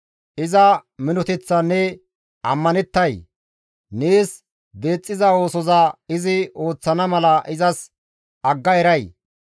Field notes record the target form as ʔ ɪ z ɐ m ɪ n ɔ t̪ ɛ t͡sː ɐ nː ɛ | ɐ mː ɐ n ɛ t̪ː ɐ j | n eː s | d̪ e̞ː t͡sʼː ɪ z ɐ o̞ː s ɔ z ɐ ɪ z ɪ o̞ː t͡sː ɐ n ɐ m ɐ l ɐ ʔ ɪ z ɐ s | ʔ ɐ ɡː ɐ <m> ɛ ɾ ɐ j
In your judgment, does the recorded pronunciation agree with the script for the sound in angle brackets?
no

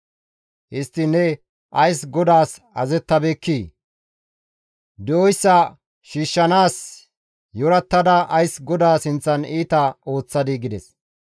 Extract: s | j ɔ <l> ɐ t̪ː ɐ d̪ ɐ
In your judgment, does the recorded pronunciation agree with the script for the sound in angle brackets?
no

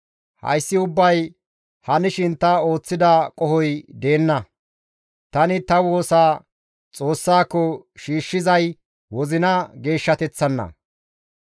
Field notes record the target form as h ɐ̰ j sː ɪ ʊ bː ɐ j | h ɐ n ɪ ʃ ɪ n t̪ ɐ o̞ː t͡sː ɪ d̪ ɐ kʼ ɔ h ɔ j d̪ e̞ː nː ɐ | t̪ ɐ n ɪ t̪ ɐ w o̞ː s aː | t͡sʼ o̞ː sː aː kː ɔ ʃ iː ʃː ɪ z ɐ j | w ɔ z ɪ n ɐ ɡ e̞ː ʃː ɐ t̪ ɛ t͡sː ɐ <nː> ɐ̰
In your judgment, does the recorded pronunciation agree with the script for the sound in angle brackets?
yes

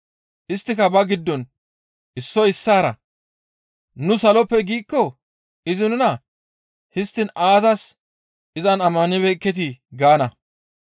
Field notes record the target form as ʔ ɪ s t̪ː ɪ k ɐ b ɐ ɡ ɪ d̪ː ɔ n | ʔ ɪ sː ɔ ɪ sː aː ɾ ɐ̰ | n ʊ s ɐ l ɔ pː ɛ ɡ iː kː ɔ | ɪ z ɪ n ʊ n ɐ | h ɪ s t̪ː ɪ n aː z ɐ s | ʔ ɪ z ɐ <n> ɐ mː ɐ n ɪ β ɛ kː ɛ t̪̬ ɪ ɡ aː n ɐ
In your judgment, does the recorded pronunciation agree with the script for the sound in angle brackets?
yes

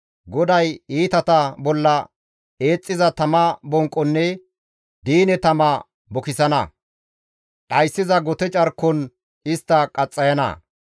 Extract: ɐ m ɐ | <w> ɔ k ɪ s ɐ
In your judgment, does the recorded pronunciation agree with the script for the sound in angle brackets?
no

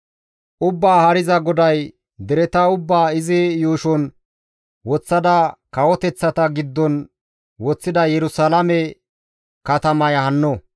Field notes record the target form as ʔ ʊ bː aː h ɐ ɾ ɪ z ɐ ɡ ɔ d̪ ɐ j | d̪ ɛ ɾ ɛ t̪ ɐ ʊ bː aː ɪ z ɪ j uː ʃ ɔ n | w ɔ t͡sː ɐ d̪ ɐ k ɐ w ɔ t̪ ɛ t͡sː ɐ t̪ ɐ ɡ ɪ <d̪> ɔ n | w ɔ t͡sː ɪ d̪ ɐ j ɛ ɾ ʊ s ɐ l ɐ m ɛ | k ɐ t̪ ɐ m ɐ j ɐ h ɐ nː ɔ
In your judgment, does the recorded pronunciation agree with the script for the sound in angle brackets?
no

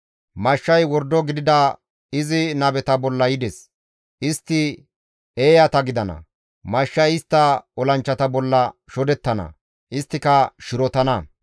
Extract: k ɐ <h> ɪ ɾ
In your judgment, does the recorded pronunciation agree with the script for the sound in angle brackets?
no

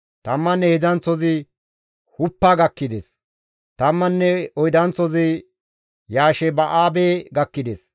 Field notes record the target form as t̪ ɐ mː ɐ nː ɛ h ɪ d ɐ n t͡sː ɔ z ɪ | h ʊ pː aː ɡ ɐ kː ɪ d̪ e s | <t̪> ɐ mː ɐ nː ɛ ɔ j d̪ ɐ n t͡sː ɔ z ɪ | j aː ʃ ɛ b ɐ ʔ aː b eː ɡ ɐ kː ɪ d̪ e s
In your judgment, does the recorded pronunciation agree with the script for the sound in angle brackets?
yes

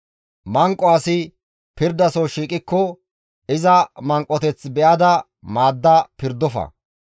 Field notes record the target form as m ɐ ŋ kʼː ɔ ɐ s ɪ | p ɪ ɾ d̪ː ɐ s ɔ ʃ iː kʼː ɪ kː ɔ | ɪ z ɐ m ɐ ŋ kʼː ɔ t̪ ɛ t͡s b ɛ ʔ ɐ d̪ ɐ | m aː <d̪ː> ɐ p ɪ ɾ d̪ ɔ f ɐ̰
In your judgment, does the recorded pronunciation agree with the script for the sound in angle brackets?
yes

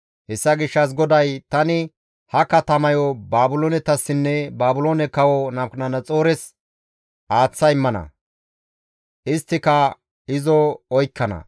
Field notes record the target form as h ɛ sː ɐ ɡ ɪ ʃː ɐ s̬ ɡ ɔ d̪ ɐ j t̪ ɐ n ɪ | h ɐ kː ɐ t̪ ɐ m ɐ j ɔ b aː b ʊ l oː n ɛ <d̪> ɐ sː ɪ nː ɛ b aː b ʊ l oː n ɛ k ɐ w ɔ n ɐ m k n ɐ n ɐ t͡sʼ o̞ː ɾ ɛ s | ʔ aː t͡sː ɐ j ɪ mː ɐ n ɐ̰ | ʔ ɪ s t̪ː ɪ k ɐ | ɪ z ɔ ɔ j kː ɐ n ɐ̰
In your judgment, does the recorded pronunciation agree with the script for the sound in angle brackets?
no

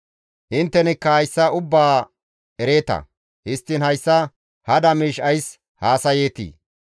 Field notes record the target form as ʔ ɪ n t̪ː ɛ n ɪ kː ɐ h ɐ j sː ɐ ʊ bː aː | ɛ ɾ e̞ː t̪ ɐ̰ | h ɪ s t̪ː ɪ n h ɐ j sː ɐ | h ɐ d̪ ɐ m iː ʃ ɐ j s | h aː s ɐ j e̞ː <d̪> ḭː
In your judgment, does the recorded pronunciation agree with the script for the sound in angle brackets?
no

